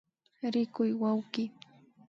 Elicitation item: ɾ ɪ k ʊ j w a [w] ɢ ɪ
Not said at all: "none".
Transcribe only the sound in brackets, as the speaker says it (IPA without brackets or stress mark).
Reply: w